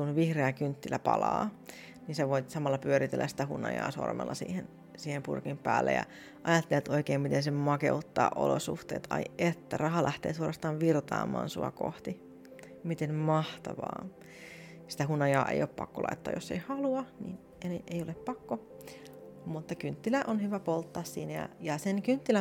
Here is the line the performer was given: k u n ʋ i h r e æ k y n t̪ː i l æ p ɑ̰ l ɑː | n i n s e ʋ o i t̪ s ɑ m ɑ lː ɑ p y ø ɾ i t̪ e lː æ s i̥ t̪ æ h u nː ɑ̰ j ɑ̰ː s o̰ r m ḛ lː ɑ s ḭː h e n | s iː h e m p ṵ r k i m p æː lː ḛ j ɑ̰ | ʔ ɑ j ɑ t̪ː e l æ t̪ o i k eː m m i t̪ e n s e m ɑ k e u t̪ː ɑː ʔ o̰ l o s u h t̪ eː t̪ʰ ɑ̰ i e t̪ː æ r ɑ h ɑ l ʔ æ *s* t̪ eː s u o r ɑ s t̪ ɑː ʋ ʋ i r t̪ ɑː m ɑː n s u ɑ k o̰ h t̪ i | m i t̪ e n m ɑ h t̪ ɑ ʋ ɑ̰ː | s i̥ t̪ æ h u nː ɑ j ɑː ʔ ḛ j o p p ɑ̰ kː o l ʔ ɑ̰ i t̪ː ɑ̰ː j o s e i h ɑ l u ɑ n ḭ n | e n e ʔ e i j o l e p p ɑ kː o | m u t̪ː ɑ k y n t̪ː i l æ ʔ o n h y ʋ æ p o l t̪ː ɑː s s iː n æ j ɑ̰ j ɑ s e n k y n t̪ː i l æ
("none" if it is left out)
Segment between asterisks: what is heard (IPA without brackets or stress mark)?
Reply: h